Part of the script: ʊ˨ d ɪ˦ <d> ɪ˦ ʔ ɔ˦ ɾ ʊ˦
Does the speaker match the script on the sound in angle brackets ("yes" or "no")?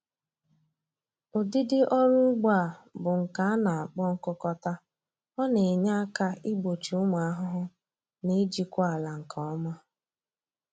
yes